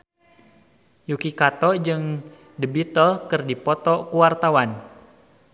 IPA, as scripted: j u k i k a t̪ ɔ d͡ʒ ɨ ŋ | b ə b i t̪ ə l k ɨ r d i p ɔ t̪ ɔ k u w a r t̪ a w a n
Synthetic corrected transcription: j u k i k a t̪ ɔ d͡ʒ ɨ ŋ | d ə b i t̪ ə l k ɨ r d i p ɔ t̪ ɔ k u w a r t̪ a w a n